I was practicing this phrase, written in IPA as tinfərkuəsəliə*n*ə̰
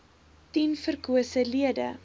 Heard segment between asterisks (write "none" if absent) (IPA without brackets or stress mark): d